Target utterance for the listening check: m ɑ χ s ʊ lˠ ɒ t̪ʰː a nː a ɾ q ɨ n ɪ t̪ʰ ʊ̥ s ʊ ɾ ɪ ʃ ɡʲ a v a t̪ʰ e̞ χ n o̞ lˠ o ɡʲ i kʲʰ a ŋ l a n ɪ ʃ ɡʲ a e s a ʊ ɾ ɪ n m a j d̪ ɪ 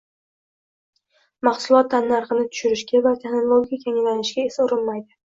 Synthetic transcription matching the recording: m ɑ χ s ʊ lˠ ɒ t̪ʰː a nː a ɾ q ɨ n ɪ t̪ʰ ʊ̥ ʃ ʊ ɾ ɪ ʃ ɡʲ a v a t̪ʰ e̞ χ n o̞ lˠ o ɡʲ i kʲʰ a ŋ l a n ɪ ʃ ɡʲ a e s a ʊ ɾ ɪ n m a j d̪ ɪ